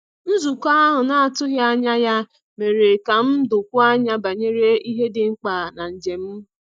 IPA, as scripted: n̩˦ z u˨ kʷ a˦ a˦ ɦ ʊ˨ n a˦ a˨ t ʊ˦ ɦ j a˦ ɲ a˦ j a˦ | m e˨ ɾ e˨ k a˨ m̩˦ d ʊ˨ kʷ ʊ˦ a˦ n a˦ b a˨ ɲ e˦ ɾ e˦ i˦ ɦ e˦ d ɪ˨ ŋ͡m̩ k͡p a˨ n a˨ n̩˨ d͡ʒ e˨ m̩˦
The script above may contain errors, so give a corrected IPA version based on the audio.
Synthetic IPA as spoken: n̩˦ z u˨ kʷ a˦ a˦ ɦ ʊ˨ n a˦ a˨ t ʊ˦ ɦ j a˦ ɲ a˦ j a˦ | m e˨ ɾ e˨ k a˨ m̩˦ d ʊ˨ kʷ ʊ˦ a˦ ɲ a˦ b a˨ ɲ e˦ ɾ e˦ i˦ ɦ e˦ d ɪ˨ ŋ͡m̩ k͡p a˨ n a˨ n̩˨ d͡ʒ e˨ m̩˦